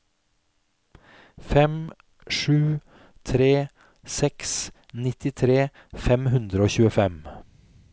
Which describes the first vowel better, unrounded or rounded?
unrounded